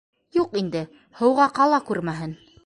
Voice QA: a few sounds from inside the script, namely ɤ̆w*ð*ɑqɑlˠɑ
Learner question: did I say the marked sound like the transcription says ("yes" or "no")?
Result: no